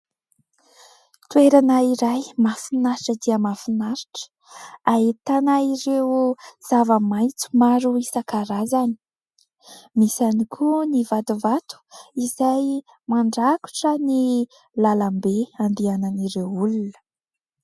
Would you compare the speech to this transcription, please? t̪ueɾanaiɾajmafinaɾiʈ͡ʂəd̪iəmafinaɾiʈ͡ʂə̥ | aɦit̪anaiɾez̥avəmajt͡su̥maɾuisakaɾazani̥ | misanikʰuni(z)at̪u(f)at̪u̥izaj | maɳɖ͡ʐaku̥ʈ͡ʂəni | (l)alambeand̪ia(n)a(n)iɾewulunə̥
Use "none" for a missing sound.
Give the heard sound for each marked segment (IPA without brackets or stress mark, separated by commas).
v, v, l, n, n